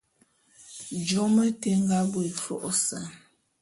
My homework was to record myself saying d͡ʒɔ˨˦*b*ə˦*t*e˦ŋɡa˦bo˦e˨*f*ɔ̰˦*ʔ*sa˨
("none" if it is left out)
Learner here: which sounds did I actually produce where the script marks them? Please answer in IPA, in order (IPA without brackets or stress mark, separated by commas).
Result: m, t, f, ʔ